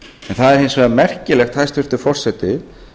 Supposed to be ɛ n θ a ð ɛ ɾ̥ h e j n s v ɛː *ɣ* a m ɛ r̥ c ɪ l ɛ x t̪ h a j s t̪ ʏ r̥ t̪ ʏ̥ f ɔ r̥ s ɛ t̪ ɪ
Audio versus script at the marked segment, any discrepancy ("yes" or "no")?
yes